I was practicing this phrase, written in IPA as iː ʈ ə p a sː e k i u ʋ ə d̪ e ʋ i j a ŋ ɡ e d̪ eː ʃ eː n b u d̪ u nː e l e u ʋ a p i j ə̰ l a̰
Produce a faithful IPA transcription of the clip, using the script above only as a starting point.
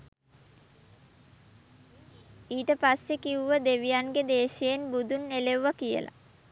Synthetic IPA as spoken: iː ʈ ə p a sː e k i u ʋ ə d̪ e ʋ i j a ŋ ɡ e d̪ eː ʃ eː n b u d̪ u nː e l e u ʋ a k i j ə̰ l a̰